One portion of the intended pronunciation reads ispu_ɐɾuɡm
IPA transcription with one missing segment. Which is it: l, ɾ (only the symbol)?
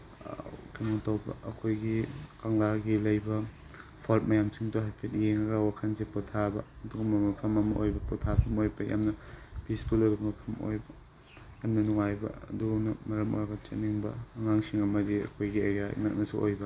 l